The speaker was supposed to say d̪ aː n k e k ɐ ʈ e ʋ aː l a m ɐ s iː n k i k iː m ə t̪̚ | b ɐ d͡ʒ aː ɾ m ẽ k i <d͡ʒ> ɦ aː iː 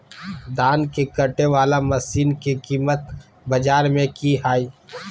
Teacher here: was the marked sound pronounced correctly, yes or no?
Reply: no